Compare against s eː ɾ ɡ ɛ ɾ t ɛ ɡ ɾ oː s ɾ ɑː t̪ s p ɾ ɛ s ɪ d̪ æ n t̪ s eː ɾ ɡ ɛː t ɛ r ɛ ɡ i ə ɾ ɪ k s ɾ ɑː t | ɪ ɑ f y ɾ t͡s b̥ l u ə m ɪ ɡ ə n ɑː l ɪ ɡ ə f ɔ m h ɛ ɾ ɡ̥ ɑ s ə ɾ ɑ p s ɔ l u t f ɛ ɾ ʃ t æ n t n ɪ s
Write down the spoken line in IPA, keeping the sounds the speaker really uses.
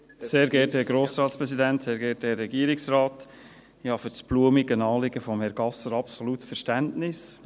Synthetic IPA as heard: s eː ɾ ɡ ɛ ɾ t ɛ ɡ ɾ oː s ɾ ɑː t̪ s p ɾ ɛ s i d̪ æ n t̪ s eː ɾ ɡ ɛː t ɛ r ɛ ɡ i ə ɾ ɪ k s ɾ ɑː t | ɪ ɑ f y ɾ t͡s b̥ l u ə m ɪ ɡ ə n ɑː l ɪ ɡ ə f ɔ m h ɛ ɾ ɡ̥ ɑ s ə ɾ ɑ p s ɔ l u t f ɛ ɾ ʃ t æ n t n ɪ s